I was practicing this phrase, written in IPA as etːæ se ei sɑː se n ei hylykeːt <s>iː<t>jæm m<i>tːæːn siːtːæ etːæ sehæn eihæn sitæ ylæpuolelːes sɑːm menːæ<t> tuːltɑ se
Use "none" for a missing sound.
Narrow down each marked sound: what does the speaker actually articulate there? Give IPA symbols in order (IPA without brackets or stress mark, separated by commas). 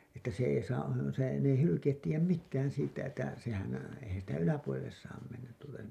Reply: t, none, i, t